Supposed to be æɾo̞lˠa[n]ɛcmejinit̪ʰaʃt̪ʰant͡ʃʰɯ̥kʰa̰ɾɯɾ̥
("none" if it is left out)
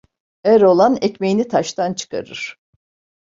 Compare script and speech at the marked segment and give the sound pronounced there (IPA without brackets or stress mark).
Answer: n